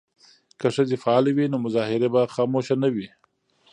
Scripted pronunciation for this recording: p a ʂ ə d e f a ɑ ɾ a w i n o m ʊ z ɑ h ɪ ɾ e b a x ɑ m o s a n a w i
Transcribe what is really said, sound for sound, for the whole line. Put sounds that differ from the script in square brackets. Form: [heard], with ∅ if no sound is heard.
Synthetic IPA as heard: [k] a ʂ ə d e f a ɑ [l] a w i n o m ʊ z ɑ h ɪ ɾ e b a x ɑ m o [ʃ] a n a w i